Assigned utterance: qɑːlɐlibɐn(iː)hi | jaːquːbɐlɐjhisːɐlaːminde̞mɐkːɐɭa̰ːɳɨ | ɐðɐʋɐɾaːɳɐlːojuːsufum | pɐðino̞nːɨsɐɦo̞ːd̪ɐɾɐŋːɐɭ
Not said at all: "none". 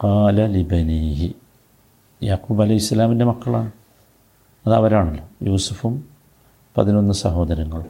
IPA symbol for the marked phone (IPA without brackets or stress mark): iː